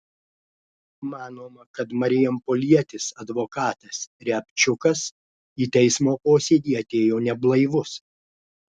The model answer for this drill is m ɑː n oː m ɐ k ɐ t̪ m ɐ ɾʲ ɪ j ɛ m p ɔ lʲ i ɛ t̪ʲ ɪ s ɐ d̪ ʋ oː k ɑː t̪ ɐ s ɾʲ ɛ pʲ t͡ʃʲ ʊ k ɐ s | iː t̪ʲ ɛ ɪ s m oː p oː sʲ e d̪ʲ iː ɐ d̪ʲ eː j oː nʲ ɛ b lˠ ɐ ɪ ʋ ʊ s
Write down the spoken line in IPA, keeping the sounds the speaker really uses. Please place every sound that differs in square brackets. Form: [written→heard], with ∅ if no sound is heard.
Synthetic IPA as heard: m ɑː n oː m ɐ k ɐ t̪ m ɐ ɾʲ ɪ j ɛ m p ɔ lʲ i ɛ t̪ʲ ɪ s ɐ d̪ ʋ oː k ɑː t̪ ɐ s ɾʲ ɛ pʲ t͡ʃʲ ʊ k ɐ s | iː t̪ʲ ɛ ɪ s m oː p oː sʲ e d̪ʲ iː ɐ [d̪ʲ→t̪ʲ] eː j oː nʲ ɛ b lˠ ɐ ɪ ʋ ʊ s